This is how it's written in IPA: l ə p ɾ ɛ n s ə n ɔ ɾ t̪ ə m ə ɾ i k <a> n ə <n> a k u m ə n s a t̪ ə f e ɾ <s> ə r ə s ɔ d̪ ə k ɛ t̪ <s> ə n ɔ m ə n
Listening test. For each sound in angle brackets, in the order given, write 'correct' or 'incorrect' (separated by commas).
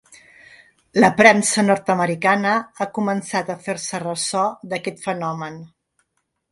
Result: correct, incorrect, correct, incorrect